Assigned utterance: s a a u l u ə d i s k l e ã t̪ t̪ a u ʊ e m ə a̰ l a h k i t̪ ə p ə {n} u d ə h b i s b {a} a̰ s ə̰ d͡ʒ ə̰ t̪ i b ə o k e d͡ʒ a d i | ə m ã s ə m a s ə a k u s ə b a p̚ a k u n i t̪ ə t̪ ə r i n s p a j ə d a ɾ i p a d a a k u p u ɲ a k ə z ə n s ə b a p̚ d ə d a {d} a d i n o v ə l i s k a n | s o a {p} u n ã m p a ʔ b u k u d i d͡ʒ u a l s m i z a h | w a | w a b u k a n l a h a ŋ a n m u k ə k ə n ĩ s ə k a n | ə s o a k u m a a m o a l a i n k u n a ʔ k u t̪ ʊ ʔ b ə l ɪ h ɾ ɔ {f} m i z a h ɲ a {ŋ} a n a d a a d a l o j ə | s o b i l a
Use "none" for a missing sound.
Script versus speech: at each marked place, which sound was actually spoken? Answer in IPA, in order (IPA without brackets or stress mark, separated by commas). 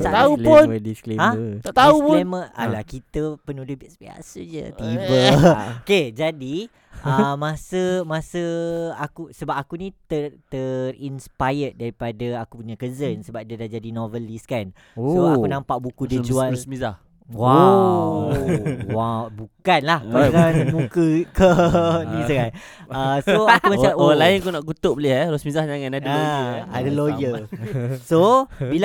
n, i, d͡ʒ, k, s, ŋ